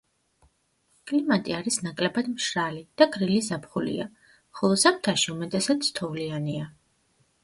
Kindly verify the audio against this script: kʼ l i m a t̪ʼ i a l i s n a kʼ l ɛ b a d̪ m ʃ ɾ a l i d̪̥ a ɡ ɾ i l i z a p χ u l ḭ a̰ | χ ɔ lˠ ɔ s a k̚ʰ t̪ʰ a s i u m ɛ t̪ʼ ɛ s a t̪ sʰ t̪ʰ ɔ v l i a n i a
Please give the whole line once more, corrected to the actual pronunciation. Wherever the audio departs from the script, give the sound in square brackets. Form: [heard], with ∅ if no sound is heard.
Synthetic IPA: kʼ l i m a t̪ʼ i a [ɾ] i s n a kʼ l ɛ b a d̪ m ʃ ɾ a l i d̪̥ a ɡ ɾ i l i z a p χ u l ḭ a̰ | χ ɔ lˠ ɔ s a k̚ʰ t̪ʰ a [ʃ] i u m ɛ t̪ʼ ɛ s a t̪ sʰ t̪ʰ ɔ v l i a n i a